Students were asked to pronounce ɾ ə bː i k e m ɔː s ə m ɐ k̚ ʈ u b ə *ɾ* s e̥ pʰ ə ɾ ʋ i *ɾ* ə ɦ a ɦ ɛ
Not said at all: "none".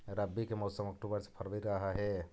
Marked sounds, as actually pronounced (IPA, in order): ɾ, ɾ

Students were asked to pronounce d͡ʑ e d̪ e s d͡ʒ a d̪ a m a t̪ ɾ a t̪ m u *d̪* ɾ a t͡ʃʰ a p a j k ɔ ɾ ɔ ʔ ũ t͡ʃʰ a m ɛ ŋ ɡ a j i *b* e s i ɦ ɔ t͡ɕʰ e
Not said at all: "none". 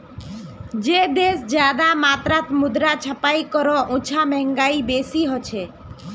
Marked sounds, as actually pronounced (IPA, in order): d̪, b

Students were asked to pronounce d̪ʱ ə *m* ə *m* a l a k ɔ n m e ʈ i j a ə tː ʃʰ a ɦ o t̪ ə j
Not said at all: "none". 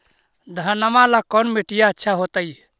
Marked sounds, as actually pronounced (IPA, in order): n, m

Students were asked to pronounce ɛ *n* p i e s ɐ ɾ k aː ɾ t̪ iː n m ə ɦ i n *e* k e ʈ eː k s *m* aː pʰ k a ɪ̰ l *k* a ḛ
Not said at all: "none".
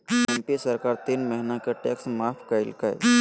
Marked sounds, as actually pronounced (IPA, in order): m, a, m, k

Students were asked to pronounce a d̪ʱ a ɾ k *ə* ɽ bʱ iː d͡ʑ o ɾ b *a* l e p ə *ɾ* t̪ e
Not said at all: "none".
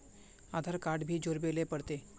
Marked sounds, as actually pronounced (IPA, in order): a, e, ɽ

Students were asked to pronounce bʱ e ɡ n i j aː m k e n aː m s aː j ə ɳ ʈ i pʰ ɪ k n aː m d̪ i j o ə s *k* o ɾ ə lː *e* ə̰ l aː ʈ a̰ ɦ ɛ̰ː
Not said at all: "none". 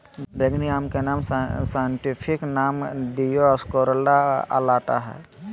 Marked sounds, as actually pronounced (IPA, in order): k, a

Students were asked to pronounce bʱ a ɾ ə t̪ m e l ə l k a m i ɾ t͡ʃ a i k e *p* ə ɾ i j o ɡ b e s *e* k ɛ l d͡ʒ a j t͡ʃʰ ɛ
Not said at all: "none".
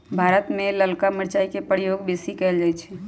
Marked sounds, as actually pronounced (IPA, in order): p, i

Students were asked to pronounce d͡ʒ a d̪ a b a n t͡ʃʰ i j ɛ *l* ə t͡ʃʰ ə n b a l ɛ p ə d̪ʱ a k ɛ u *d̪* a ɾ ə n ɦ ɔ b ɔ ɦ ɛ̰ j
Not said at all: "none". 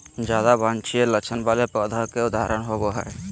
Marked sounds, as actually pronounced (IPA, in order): l, d̪

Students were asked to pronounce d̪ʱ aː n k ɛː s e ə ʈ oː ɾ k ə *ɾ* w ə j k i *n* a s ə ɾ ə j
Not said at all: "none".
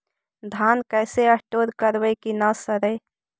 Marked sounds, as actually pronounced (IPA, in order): ɾ, n

